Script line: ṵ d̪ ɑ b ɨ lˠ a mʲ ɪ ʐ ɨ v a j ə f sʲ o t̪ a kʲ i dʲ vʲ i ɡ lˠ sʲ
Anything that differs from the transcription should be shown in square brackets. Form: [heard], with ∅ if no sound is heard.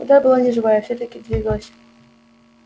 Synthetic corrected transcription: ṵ d̪ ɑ b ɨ lˠ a [nʲ] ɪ ʐ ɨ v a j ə f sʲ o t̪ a kʲ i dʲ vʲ i ɡ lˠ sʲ